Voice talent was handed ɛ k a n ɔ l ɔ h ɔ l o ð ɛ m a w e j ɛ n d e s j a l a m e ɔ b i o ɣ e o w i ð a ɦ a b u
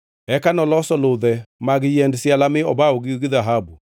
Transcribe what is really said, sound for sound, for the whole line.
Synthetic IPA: ɛ k a n ɔ l ɔ s ɔ l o ð ɛ m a ɣ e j ɛ n d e s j a l a m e ɔ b a o ɣ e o ɣ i ð a ɦ a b u